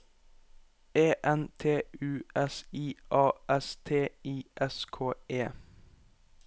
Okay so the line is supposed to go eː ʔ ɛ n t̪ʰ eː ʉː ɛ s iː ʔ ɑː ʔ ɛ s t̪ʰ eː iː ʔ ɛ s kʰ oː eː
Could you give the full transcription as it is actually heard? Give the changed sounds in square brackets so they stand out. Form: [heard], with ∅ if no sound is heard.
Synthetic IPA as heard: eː ʔ ɛ n t̪ʰ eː ʉː ɛ s iː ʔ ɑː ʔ ɛ s t̪ʰ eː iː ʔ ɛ s kʰ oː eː

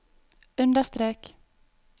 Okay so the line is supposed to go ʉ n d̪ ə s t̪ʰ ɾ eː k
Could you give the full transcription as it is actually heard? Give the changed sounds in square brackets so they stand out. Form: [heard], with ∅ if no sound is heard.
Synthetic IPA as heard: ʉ n d̪ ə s [t̪] ɾ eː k

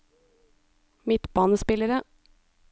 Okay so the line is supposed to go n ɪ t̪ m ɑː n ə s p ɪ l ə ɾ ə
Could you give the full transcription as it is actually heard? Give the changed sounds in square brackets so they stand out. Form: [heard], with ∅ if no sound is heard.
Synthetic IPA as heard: [m] ɪ t̪ [b] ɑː n ə s p ɪ l ə ɾ ə

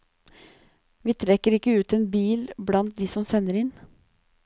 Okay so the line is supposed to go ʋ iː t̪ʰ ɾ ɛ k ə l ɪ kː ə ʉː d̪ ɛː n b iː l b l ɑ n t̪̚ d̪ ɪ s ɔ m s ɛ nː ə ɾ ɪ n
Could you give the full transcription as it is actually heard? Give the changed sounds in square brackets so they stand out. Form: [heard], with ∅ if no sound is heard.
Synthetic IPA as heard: ʋ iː t̪ʰ ɾ ɛ k ə [ɾ] ɪ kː ə ʉː [t̪] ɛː n b iː l b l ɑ n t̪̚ d̪ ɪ s ɔ m s ɛ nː ə ɾ ɪ n

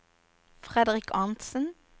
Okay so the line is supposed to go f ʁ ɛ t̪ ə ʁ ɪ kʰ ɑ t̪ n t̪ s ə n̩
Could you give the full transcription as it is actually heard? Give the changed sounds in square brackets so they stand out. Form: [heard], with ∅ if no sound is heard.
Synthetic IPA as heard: f ʁ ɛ [d̪] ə ʁ ɪ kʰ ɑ [∅] n t̪ s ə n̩

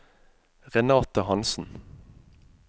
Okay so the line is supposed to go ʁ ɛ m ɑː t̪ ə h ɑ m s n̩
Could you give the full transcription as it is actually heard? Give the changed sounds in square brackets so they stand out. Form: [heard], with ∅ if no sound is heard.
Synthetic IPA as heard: ʁ ɛ [n] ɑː t̪ ə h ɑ [n] s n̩

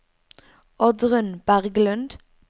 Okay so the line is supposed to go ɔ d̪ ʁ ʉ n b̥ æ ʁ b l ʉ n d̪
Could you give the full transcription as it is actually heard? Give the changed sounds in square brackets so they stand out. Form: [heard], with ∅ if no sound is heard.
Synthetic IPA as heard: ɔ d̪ ʁ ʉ n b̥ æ ʁ [ɡ] l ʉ n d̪

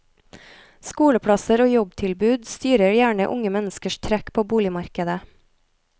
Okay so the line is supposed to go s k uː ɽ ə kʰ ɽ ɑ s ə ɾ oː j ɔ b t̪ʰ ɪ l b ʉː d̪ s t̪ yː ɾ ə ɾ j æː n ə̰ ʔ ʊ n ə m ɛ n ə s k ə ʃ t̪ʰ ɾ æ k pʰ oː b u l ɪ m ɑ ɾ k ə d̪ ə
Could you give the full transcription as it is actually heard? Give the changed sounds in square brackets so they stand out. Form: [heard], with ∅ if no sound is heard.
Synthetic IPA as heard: s k uː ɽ ə [pʰ] ɽ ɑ s ə ɾ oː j ɔ b t̪ʰ ɪ l b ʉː d̪ s t̪ yː ɾ ə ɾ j æː [ɳ] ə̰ ʔ ʊ [ŋ] ə m ɛ n ə s k ə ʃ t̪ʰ ɾ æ k pʰ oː b [uː] l ɪ m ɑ ɾ k ə d̪ ə

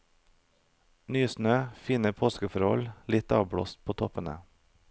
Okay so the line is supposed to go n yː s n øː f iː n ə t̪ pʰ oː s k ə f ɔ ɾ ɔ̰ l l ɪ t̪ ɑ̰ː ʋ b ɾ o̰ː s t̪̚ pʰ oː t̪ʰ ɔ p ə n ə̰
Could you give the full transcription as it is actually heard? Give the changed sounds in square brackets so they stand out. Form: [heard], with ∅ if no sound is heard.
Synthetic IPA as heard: n yː s n øː f iː n ə [∅] pʰ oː s k ə f ɔ ɾ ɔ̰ l l ɪ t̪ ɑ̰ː ʋ b [ɽ] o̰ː s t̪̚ pʰ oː t̪ʰ ɔ p ə n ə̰

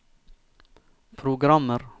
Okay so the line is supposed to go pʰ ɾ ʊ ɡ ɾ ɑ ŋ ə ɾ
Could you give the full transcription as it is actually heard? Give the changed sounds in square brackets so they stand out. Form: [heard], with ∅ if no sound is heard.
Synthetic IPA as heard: pʰ ɾ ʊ ɡ ɾ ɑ [m] ə ɾ

